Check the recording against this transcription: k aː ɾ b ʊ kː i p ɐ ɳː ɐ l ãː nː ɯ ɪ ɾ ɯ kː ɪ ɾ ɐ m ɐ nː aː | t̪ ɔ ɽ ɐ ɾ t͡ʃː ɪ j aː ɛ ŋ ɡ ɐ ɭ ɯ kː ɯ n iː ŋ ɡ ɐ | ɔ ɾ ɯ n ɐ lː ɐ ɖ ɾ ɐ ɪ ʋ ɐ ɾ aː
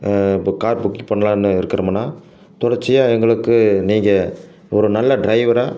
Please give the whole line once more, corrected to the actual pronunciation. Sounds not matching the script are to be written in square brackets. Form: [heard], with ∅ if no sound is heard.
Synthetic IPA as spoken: k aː ɾ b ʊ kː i p ɐ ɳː ɐ l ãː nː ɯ ɪ ɾ ɯ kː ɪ ɾ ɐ m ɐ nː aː | t̪ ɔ ɽ ɐ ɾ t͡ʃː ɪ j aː ɛ ŋ ɡ ɐ ɭ ɯ kː ɯ n iː ŋ ɡ ɐ | ɔ ɾ ɯ n ɐ lː ɐ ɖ ɾ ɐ ɪ ʋ ɐ ɾ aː